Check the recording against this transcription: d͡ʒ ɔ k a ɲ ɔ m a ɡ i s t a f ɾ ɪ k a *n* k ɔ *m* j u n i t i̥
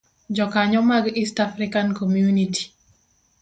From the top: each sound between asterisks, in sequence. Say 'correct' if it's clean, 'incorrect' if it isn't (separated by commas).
correct, correct